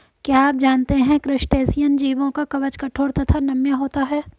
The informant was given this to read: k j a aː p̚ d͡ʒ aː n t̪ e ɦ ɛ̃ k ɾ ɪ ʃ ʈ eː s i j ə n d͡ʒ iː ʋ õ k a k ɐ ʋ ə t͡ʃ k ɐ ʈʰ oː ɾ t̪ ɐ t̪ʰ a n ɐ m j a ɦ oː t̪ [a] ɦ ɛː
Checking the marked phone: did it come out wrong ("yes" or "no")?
no